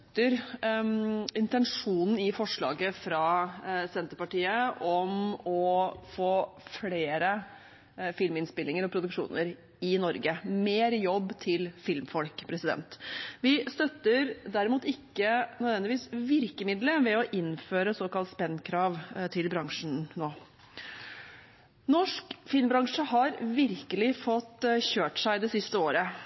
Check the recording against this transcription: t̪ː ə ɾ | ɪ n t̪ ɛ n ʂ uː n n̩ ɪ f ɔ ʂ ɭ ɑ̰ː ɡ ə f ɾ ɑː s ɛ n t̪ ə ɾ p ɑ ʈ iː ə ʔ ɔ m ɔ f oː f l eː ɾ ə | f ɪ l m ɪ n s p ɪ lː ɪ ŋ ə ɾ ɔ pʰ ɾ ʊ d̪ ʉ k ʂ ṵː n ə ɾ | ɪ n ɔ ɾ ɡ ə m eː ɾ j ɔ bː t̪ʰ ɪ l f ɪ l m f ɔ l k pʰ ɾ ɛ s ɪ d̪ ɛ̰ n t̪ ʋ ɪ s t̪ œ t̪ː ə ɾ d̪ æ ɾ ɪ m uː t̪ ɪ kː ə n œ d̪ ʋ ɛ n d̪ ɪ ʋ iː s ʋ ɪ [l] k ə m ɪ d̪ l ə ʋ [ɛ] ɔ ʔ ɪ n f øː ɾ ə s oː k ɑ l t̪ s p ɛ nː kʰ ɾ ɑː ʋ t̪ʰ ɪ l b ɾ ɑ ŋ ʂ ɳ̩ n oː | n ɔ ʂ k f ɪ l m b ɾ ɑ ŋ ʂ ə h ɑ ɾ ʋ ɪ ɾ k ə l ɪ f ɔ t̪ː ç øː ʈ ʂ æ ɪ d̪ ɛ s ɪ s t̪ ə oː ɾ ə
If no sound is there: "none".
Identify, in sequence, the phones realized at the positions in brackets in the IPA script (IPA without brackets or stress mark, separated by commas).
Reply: ɾ, ɛ